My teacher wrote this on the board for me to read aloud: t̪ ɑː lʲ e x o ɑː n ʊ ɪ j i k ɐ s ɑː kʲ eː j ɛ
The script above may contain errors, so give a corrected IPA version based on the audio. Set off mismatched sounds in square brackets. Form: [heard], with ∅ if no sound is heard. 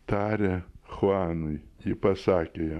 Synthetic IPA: t̪ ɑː [ɾʲ] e x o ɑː n ʊ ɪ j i [p] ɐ s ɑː kʲ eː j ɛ